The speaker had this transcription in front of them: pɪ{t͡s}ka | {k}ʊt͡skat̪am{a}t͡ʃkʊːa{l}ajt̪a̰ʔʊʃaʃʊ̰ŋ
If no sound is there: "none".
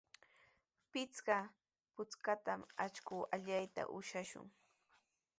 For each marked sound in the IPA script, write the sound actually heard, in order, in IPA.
t͡s, p, a, ʎ

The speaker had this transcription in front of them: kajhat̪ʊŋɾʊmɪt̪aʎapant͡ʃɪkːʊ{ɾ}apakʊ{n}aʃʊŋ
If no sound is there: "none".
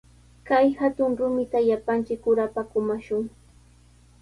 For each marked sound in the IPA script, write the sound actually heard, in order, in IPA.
ɾ, m

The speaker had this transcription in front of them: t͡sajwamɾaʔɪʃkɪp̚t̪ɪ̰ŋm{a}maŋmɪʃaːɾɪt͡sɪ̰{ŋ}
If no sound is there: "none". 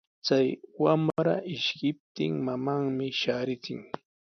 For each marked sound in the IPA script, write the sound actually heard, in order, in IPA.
a, ŋ

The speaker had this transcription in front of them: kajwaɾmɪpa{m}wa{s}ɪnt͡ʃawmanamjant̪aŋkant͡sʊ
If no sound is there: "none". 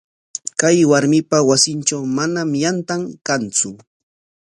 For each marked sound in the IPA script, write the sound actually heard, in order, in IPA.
none, s

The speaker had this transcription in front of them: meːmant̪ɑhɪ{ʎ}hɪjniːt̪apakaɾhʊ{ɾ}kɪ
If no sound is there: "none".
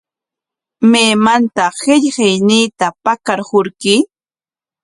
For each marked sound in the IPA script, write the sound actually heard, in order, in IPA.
ʎ, ɾ

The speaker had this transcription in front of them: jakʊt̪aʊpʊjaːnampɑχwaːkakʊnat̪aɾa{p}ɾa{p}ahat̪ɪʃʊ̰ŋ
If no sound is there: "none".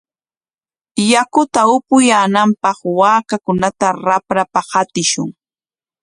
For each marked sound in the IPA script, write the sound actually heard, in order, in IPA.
p, p

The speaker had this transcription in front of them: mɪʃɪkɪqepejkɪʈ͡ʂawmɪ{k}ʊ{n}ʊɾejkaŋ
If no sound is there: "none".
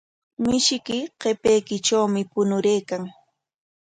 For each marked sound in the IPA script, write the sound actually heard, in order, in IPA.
p, n

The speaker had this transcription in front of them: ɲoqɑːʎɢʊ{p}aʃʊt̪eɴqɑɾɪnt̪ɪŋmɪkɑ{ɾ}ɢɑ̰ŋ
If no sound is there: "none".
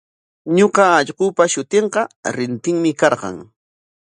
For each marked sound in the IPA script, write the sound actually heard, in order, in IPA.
p, ɾ

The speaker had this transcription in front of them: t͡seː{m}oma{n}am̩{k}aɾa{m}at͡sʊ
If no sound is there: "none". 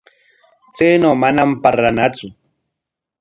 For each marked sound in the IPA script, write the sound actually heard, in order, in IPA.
n, n, p, n

